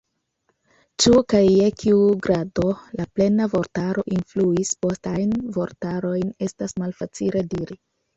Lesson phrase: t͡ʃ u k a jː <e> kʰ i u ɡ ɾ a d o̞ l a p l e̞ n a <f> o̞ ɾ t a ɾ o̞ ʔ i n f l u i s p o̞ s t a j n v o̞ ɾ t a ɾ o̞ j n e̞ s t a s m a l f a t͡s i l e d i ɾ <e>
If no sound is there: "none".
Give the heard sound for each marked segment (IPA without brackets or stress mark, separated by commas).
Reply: e, v, i